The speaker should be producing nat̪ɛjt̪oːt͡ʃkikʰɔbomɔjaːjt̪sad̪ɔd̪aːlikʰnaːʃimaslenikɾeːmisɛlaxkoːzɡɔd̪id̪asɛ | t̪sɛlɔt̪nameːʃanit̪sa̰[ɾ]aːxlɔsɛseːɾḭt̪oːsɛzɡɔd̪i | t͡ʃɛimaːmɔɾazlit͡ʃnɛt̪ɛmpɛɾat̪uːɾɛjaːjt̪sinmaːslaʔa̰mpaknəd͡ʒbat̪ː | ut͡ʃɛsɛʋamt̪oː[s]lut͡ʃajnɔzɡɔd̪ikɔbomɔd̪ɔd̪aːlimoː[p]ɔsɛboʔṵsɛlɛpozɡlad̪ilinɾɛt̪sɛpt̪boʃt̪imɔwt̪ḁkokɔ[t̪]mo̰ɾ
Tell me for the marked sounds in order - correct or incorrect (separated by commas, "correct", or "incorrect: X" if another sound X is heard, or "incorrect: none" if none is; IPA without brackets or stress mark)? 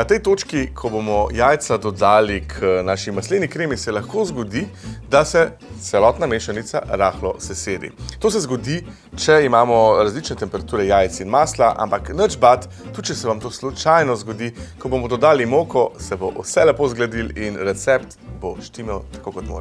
correct, correct, incorrect: k, correct